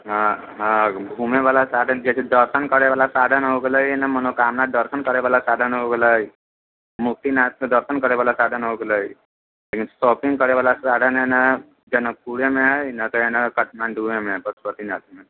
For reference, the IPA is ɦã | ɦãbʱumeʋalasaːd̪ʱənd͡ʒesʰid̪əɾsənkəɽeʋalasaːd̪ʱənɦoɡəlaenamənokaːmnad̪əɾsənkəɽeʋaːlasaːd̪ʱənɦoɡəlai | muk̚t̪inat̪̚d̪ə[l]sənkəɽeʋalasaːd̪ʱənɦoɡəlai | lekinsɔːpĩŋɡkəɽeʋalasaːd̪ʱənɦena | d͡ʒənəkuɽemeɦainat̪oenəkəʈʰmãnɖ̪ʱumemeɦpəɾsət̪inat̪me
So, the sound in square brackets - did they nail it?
no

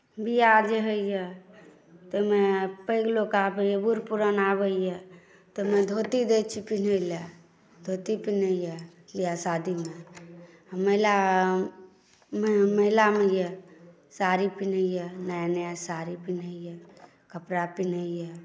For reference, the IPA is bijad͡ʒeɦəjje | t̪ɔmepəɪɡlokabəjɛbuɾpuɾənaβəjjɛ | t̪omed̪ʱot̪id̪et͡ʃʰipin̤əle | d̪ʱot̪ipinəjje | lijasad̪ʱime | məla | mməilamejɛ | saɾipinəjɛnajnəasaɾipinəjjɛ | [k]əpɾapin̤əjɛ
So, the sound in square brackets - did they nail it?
yes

